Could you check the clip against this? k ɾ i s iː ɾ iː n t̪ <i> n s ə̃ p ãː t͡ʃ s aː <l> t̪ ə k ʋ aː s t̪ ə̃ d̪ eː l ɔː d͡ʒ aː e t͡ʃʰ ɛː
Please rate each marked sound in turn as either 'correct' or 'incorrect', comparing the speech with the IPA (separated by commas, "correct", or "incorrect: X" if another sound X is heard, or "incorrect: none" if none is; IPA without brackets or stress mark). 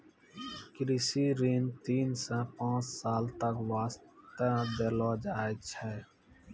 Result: incorrect: iː, correct